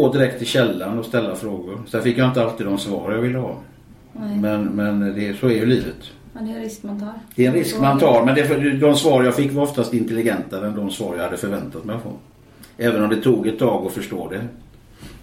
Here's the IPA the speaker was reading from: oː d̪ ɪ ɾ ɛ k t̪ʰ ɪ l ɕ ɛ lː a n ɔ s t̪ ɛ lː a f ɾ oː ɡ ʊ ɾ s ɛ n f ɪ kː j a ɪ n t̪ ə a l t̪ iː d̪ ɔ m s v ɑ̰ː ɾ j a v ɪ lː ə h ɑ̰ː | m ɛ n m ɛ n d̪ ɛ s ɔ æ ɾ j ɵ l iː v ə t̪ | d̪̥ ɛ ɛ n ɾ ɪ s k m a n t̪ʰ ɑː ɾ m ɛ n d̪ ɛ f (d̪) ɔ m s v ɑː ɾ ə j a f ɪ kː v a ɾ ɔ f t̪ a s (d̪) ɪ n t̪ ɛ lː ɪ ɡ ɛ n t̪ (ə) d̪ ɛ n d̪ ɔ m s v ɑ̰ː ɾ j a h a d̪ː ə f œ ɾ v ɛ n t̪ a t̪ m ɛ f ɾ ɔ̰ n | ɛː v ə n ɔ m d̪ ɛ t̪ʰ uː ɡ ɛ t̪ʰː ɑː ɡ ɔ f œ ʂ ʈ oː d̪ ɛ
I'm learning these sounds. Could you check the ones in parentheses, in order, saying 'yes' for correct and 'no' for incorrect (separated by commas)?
yes, no, no